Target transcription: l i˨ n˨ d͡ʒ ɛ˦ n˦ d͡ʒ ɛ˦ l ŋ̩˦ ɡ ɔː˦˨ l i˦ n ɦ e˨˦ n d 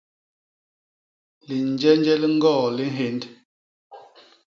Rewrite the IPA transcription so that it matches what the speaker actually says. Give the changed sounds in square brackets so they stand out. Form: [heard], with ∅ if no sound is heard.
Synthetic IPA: l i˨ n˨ d͡ʒ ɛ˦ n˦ d͡ʒ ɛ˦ l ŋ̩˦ ɡ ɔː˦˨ l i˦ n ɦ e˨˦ n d